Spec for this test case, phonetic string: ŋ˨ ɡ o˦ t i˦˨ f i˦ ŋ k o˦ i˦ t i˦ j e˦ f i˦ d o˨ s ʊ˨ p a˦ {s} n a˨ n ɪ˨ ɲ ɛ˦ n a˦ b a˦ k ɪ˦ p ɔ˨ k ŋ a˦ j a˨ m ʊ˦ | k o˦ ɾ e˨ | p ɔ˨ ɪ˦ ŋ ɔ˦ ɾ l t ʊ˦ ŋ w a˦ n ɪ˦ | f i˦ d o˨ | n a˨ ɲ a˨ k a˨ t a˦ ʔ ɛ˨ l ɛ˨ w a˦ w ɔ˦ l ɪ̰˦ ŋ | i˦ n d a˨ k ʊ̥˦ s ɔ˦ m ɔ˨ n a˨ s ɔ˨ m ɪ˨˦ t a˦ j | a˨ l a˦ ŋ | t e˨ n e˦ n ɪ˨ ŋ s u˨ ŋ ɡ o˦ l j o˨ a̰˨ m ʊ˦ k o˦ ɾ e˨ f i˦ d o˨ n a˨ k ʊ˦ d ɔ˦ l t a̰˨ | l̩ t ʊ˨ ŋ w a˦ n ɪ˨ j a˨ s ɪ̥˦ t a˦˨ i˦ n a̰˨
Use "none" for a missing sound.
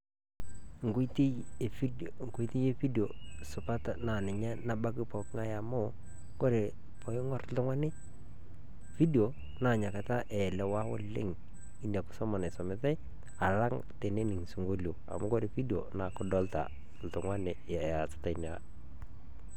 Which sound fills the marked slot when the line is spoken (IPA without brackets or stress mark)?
t